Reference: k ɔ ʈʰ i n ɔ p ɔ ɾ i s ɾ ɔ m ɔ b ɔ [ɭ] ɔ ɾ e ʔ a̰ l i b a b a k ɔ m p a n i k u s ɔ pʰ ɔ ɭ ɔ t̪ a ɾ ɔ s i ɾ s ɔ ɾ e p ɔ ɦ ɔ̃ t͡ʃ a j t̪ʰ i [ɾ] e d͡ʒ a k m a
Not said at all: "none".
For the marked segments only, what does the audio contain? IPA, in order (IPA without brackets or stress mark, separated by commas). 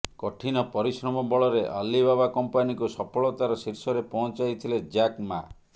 ɭ, l